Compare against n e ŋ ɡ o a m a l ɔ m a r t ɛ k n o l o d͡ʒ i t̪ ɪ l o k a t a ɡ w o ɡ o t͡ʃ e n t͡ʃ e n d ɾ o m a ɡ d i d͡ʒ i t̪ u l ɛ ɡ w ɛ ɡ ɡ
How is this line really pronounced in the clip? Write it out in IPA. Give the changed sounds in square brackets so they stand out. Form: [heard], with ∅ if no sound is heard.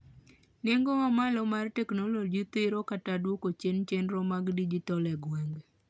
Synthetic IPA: n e ŋ ɡ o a m a l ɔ m a r t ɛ k n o l o d͡ʒ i t̪ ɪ [ɾ] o k a t a [d] w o [k] o t͡ʃ e n t͡ʃ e n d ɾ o m a ɡ d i d͡ʒ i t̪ [ɔ] l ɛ ɡ w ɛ [ŋ] ɡ